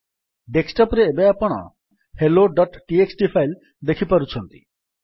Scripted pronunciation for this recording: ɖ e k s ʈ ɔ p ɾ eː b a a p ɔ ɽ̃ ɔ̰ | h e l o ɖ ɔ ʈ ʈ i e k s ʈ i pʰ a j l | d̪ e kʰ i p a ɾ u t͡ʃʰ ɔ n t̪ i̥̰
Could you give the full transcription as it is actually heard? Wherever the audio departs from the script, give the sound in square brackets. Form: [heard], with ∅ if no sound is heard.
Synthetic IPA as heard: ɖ e k s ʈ ɔ p ɾ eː b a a p ɔ ɽ̃ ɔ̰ | h e l o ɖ ɔ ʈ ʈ i e k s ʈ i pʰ a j l | d̪ e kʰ i p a ɾ u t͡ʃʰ ɔ n t̪ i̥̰

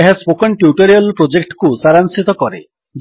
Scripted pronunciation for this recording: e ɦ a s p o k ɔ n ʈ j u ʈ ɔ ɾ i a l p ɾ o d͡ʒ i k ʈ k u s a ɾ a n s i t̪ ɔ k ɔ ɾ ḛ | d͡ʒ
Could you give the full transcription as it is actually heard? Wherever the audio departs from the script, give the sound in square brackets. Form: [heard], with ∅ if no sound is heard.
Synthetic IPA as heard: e ɦ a s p o k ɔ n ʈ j u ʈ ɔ ɾ i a l p ɾ o d͡ʒ [e] k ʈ k u s a ɾ a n s i t̪ ɔ k ɔ ɾ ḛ | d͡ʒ

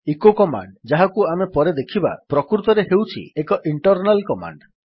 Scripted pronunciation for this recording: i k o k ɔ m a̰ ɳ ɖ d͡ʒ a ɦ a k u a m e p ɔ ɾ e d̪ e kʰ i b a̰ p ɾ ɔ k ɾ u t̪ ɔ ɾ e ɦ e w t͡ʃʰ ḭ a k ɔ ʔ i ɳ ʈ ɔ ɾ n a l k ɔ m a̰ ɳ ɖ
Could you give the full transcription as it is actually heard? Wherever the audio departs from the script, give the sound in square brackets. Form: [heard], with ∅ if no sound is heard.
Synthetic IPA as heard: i k o k ɔ m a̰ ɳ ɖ d͡ʒ a ɦ a k u a m e p ɔ ɾ e d̪ e kʰ i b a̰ p ɾ ɔ k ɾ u t̪ ɔ ɾ e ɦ e w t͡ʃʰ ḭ [e] k ɔ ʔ i ɳ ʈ ɔ ɾ n a l k ɔ m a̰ ɳ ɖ

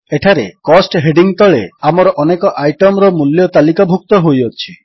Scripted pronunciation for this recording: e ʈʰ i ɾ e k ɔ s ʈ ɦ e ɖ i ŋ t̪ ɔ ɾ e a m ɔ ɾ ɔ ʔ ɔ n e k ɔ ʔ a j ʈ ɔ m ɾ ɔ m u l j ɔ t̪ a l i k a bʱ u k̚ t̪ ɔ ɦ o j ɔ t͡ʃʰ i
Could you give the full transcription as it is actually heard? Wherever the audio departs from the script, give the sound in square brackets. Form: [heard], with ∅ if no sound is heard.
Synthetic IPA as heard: e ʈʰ [a] ɾ e k ɔ s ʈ ɦ e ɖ i ŋ t̪ ɔ [ɭ] e a m ɔ ɾ ɔ ʔ ɔ n e k ɔ ʔ a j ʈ ɔ m ɾ ɔ m u l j ɔ t̪ a l i k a bʱ u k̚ t̪ ɔ ɦ o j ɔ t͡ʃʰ i

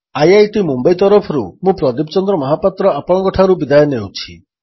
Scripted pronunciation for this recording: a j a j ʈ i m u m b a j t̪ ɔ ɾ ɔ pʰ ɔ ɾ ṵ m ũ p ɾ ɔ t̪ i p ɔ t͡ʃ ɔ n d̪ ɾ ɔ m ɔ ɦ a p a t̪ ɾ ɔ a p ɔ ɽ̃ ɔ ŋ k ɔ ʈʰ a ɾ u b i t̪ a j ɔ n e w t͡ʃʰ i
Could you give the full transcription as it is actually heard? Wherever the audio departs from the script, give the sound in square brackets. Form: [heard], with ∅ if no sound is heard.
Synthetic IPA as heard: a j a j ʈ i m u m b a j t̪ ɔ ɾ ɔ pʰ ɔ ɾ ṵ m ũ p ɾ ɔ [d̪] i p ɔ t͡ʃ ɔ n d̪ ɾ ɔ m ɔ ɦ a p a t̪ ɾ ɔ a p ɔ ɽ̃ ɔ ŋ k ɔ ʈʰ a ɾ u b i [d̪] a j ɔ n e w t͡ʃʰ i

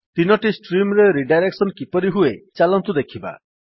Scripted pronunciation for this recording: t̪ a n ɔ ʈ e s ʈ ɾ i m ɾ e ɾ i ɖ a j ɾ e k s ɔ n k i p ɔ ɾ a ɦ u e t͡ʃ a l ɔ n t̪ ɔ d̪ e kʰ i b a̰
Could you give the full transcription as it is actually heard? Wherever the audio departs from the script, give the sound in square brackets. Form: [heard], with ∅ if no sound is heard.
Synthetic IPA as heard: t̪ [i] n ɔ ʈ [i] s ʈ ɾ i m ɾ e ɾ i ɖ a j ɾ e k s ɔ n k i p ɔ ɾ [i] ɦ u e t͡ʃ a l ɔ n t̪ [u] d̪ e kʰ i b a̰

